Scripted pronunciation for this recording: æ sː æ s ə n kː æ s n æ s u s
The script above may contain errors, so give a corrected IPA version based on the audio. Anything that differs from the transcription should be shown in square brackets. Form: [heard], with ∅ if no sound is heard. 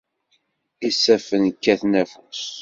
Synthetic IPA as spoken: [i] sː æ [f] ə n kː æ [θ] n æ [f] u s